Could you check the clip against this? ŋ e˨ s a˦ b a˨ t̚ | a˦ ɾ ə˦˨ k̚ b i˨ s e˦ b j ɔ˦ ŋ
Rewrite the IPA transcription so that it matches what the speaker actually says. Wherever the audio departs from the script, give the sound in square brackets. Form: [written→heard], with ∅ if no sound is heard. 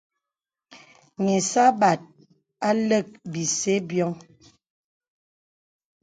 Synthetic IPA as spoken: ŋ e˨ s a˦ b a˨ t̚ | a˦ [ɾ→l] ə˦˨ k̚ b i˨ s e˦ b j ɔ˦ ŋ